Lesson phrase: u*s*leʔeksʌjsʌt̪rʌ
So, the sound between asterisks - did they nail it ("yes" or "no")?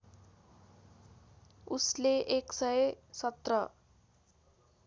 yes